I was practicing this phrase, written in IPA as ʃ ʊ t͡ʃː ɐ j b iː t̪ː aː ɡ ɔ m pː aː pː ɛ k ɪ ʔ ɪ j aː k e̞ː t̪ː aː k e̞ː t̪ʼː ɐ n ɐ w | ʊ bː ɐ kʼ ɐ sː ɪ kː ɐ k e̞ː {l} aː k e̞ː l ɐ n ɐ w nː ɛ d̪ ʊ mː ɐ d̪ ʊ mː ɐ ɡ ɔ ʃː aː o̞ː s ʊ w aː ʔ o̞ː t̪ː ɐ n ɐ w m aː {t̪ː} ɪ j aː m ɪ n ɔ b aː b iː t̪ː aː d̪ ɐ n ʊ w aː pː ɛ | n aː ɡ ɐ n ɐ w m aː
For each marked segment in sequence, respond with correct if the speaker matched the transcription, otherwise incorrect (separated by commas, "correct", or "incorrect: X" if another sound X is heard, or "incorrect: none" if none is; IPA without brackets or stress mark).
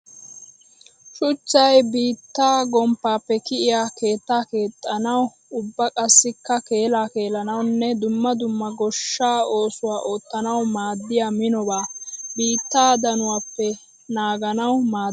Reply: correct, incorrect: d̪ː